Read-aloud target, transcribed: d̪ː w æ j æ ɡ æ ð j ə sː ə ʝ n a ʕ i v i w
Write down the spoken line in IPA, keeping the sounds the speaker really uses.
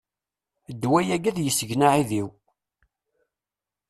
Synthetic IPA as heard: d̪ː w æ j æ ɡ æ ð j ə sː ə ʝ n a ʕ i ð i w